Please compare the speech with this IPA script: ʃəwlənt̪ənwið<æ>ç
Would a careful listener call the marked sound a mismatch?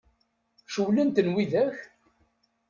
no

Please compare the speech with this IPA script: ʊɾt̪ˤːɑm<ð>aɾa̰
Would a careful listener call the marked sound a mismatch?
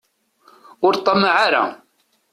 yes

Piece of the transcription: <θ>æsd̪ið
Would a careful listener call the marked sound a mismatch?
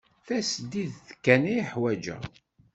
no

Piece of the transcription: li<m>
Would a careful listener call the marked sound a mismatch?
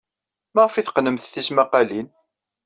yes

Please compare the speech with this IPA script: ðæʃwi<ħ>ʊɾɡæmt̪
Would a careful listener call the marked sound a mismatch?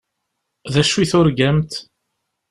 yes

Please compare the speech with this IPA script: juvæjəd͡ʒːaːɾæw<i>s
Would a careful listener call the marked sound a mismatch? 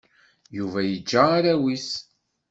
no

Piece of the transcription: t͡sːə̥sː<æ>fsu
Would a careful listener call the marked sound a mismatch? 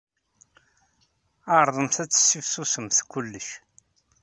yes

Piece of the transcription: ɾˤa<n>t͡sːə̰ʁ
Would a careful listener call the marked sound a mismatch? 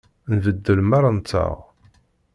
no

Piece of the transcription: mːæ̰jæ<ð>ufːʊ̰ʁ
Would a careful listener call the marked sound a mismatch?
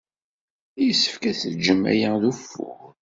no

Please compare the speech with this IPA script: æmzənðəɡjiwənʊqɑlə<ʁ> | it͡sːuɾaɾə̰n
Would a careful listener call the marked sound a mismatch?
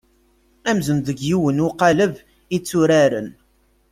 yes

